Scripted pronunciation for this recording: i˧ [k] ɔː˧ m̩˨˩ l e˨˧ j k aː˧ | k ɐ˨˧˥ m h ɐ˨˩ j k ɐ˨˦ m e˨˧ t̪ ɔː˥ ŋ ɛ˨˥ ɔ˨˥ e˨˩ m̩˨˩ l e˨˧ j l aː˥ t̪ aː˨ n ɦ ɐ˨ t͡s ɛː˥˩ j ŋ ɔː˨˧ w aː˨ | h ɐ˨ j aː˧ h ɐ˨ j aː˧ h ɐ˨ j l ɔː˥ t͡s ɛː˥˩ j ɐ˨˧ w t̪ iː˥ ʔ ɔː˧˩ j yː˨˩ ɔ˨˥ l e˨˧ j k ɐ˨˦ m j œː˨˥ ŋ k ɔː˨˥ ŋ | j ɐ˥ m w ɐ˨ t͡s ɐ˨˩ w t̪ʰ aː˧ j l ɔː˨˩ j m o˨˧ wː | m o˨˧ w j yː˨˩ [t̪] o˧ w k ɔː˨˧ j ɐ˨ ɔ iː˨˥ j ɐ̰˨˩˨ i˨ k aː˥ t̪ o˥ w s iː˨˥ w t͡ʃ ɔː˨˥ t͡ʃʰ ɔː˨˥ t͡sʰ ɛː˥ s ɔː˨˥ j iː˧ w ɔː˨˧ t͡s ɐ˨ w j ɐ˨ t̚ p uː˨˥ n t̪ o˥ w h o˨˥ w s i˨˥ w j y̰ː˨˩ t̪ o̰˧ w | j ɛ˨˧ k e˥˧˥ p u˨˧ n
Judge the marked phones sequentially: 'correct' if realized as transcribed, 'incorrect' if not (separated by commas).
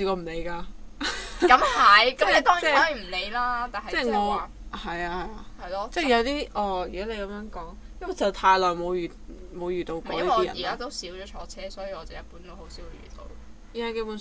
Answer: correct, correct